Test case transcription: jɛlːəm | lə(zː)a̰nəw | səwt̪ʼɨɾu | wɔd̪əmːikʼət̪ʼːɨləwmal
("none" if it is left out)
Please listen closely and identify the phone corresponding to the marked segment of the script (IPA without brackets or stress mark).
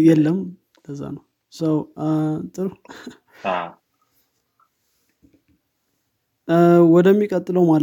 zː